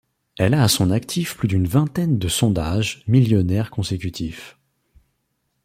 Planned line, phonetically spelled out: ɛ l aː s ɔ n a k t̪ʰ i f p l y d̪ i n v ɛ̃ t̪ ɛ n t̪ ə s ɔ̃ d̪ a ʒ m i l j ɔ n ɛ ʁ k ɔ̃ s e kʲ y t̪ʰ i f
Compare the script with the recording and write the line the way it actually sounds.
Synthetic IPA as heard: ɛ l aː s ɔ̃ n a k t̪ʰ i f p l y d̪ y n v ɛ̃ t̪ ɛ n d̪ ə s ɔ̃ d̪ a ʒ m i l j ɔ n ɛ ʁ k ɔ̃ s e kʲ y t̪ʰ i f